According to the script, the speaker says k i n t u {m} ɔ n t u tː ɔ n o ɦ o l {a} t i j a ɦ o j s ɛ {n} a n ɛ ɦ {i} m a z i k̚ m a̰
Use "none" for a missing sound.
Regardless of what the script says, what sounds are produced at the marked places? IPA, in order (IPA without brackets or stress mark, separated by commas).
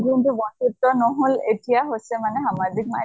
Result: b, e, m, a